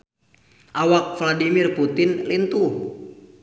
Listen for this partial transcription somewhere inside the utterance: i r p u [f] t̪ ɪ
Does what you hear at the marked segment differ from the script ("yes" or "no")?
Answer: yes